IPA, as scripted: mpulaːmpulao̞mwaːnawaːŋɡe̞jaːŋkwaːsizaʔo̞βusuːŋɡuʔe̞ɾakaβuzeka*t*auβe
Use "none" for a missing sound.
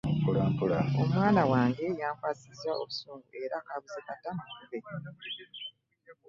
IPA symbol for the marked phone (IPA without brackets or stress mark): t